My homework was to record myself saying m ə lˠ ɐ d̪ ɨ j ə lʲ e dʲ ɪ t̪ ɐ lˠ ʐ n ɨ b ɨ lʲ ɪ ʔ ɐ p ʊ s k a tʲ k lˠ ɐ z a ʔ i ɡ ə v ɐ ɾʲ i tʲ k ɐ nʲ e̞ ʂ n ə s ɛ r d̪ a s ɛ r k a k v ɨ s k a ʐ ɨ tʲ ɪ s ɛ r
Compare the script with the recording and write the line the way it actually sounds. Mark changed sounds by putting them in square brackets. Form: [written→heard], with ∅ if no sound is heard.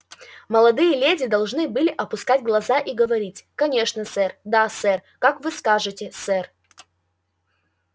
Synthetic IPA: m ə lˠ ɐ d̪ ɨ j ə lʲ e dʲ ɪ [t̪→d̪] ɐ lˠ ʐ n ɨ b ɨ lʲ ɪ ʔ ɐ p ʊ s k a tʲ [k→ɡ] lˠ ɐ z a ʔ i ɡ ə v ɐ ɾʲ i tʲ k ɐ nʲ e̞ ʂ n ə s ɛ r d̪ a s ɛ r k a k v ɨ s k a ʐ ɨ tʲ ɪ s ɛ r